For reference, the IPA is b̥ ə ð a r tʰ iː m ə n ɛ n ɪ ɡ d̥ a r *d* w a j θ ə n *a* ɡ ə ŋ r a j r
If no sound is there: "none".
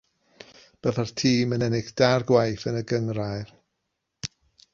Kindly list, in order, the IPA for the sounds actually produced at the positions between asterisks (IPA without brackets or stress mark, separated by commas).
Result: ɡ, ə